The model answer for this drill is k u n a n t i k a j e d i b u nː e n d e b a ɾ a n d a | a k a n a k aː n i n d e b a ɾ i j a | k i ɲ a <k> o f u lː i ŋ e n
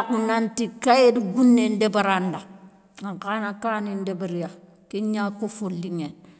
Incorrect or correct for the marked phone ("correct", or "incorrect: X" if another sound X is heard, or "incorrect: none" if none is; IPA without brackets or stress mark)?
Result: correct